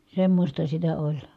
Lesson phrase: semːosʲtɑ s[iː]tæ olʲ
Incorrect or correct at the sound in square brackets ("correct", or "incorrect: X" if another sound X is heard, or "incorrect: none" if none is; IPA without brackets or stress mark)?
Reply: incorrect: i